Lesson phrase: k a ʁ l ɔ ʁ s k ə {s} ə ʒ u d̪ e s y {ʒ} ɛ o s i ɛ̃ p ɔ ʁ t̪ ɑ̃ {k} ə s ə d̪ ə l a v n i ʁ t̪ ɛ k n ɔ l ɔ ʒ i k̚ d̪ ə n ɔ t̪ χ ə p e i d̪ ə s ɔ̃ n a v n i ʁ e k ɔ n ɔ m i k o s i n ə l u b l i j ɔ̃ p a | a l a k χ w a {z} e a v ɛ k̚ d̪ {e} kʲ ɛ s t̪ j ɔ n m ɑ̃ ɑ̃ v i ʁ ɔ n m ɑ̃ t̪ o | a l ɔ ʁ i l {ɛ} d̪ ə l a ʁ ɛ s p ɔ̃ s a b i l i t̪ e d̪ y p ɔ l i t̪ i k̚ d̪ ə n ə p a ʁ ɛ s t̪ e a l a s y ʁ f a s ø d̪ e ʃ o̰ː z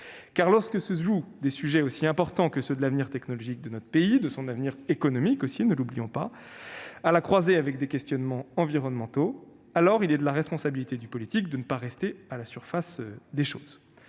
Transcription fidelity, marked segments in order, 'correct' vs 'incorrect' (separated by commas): correct, correct, correct, correct, correct, correct